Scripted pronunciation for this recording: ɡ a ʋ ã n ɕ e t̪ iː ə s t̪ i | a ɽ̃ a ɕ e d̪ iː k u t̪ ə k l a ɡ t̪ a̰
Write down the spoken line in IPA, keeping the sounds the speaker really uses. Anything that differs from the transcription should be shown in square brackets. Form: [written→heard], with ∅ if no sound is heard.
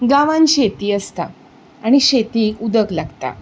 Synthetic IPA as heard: ɡ a ʋ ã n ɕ e t̪ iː ə s t̪ [i→a] | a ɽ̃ [a→i] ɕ e [d̪→t̪] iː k u [t̪→d̪] ə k l a ɡ t̪ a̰